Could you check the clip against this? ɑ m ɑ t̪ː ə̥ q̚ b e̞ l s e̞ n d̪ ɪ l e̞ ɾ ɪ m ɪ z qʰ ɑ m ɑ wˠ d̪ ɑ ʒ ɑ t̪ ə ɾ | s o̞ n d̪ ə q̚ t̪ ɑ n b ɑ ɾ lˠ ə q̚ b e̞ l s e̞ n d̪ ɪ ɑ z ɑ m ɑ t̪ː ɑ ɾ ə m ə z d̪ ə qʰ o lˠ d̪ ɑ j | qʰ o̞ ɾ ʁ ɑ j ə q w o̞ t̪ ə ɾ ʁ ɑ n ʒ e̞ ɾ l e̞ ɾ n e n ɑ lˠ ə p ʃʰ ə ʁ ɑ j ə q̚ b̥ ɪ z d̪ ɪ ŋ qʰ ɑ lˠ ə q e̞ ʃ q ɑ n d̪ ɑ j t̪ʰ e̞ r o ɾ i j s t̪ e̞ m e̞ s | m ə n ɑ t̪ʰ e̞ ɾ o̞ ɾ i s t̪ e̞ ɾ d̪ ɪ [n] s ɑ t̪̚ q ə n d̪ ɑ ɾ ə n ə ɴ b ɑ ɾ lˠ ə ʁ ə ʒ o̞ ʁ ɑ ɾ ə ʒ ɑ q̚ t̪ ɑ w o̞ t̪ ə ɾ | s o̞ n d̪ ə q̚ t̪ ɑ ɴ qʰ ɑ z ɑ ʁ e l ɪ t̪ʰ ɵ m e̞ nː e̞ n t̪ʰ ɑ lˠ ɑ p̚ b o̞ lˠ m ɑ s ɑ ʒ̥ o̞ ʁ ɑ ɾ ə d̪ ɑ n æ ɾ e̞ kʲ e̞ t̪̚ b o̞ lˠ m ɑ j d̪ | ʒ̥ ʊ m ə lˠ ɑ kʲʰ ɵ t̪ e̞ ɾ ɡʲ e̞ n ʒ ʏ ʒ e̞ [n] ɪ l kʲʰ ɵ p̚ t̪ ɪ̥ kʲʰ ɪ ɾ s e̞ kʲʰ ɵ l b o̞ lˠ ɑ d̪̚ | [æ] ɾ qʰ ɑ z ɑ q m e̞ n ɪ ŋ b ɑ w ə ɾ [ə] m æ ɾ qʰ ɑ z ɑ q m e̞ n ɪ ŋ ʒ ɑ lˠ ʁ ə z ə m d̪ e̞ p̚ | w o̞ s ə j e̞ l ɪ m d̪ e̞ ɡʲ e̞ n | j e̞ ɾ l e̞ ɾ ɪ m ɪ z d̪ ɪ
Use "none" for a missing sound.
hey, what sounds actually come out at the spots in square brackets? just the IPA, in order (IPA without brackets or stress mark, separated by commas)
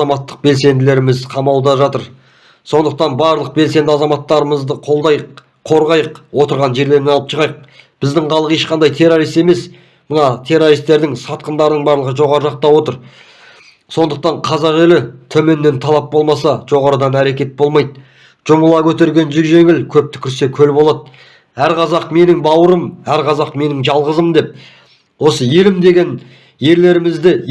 ŋ, ŋ, æ, ə